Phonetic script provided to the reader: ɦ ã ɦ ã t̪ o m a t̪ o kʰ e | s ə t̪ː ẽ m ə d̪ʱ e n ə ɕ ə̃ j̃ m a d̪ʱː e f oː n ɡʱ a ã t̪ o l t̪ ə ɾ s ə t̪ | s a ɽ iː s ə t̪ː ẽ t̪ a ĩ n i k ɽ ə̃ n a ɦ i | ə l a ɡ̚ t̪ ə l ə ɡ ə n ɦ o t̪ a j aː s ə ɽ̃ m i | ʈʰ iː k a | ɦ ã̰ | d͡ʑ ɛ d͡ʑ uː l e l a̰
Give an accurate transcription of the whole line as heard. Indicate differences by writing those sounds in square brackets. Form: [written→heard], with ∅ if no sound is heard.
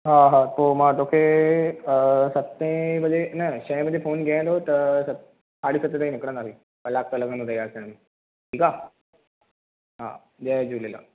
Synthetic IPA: ɦ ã ɦ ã t̪ o m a t̪ o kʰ e | s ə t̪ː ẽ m ə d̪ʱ e n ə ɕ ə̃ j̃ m [a→ə] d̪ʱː e f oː n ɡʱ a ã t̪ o [l→∅] t̪ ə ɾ s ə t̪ | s a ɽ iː s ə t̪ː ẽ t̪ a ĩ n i k ɽ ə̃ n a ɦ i | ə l a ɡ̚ t̪ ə l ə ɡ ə n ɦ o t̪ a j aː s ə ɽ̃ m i | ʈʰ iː k a | ɦ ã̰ | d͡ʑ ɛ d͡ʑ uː l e l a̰